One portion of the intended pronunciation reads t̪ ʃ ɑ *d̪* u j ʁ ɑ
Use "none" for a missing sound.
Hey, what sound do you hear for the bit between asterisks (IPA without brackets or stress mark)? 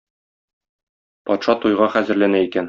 t̪